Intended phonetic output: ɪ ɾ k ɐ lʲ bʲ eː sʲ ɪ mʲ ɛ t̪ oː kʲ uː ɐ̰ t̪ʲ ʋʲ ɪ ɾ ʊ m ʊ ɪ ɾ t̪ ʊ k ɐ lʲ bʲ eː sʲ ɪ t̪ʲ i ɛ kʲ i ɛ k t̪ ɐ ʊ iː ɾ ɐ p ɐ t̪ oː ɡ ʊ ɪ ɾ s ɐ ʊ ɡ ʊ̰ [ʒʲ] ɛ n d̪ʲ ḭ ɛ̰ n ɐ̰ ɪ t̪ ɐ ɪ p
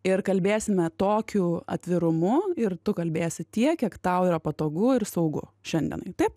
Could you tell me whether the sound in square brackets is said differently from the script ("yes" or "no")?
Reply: yes